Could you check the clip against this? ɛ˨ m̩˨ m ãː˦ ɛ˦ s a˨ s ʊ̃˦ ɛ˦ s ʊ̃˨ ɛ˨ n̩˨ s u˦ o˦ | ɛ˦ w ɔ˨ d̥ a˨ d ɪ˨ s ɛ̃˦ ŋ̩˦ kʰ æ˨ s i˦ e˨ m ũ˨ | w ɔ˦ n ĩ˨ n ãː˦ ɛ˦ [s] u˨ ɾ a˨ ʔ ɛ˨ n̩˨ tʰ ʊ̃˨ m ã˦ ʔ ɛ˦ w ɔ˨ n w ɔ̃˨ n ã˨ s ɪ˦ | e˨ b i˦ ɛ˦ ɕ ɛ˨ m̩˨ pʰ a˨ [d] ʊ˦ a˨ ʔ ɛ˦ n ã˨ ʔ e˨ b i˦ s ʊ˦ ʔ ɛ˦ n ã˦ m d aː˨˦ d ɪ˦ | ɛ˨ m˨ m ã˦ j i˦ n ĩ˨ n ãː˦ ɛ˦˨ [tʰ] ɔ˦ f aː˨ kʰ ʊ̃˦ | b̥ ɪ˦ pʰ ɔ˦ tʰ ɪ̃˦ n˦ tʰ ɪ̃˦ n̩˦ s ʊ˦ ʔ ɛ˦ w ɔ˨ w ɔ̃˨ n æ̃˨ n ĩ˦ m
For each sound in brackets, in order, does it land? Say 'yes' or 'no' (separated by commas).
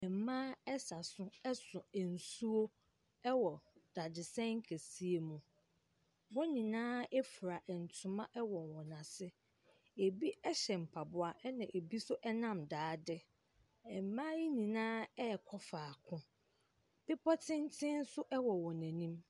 no, no, no